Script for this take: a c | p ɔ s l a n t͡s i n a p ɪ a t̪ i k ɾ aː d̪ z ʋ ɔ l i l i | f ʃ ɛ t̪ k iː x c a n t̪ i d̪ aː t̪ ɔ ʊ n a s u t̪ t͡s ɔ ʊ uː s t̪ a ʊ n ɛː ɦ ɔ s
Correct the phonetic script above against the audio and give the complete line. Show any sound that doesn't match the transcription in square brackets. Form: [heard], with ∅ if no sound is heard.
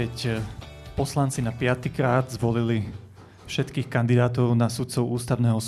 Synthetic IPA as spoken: [ɛ] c | p ɔ s l a n t͡s i n a p ɪ a t̪ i k ɾ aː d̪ z ʋ ɔ l i l i | f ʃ ɛ t̪ k iː x [k] a n [d̪] i d̪ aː t̪ ɔ ʊ n a s u t̪ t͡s ɔ ʊ uː s t̪ a ʊ n ɛː ɦ ɔ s